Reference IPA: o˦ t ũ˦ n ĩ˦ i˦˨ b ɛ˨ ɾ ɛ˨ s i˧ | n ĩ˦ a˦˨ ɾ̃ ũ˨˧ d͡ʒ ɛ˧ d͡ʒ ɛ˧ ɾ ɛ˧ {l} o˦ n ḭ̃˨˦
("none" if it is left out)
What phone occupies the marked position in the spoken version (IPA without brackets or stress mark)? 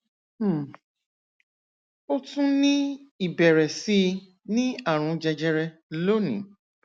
l